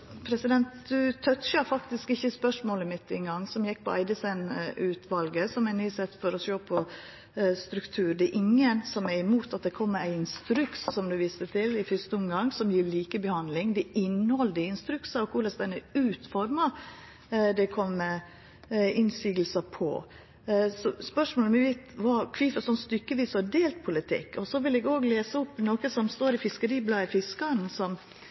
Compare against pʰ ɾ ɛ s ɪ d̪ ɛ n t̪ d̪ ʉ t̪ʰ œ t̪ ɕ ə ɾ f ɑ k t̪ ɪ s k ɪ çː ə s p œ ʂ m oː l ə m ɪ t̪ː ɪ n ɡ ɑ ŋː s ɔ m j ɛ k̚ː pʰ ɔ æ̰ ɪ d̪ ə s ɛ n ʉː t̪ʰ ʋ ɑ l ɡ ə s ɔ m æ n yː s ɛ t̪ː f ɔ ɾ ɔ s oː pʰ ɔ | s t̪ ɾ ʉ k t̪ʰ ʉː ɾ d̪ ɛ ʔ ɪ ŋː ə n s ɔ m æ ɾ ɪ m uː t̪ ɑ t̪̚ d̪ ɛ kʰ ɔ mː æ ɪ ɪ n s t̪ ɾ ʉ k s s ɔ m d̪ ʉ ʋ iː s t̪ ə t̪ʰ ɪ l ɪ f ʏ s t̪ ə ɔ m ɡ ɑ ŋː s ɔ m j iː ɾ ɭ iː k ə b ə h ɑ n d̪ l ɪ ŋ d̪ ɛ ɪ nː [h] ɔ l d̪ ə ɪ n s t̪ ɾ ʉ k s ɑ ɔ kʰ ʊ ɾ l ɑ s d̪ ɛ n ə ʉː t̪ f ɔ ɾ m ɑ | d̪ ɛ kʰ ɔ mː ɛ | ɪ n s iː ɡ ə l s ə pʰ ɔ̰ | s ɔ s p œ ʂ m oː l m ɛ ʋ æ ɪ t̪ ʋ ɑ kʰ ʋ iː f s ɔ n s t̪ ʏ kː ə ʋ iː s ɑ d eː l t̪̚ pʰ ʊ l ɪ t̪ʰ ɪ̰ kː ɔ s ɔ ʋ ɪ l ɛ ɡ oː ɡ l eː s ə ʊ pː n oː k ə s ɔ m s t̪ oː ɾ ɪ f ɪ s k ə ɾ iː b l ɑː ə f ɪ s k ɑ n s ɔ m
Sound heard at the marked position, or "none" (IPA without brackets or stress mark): h